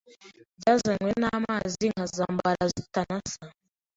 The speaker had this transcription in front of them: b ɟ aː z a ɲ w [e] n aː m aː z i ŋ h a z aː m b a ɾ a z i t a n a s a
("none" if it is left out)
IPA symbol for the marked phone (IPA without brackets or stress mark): e